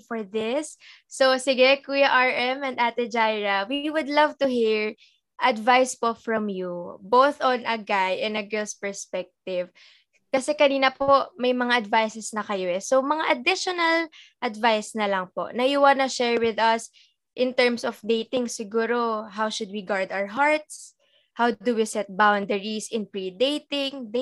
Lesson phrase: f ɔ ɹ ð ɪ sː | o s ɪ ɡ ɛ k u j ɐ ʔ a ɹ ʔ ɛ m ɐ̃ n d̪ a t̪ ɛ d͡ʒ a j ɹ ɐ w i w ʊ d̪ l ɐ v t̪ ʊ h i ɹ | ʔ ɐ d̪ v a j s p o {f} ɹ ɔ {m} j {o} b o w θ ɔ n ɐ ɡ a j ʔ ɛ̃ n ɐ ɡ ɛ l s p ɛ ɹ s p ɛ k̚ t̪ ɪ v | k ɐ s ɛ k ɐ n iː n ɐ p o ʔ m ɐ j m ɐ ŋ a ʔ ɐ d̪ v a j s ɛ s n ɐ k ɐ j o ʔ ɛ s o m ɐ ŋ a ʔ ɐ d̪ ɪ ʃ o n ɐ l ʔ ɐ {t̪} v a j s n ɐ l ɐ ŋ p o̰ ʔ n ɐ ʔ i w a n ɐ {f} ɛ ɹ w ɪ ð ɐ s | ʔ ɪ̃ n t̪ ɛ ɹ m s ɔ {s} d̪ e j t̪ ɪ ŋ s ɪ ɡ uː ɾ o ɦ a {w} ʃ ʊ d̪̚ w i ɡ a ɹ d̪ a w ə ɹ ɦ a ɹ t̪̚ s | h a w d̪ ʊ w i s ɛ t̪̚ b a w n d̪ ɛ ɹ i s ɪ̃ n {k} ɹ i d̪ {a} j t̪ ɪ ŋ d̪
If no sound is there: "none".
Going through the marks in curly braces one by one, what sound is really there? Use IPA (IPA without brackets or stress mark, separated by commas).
f, m, u, d̪, ʃ, f, w, p, e